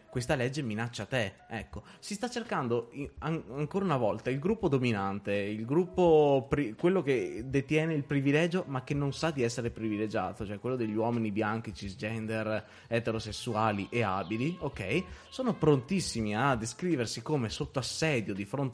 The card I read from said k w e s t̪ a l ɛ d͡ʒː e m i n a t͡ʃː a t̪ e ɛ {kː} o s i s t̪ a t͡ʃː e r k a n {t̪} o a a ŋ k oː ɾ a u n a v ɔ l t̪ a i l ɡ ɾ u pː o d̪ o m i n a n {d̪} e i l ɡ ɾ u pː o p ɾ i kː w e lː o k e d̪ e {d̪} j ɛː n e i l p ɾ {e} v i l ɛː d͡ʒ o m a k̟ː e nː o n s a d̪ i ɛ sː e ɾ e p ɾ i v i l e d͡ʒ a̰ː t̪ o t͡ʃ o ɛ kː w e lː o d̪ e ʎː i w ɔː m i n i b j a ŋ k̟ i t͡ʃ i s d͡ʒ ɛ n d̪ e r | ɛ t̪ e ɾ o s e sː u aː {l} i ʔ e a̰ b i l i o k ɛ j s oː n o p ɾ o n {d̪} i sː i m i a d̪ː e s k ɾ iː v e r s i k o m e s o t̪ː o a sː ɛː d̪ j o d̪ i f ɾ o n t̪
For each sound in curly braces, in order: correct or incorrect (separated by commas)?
correct, incorrect, incorrect, incorrect, incorrect, correct, incorrect